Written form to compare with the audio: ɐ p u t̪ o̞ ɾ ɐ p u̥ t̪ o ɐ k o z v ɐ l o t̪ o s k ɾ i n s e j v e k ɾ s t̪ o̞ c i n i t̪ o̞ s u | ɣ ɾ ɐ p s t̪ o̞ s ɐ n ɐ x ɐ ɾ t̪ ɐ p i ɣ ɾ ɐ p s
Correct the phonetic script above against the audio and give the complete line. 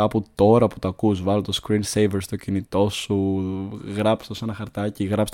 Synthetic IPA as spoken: ɐ p u t̪ o̞ ɾ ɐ p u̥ t̪ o ɐ k u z v ɐ l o t̪ o s k ɾ i n s e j v e ɾ s t̪ o̞ c i n i t̪ o̞ s u | ɣ ɾ ɐ p s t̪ o̞ s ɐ n ɐ x ɐ ɾ t̪ ɐ c i ɣ ɾ ɐ p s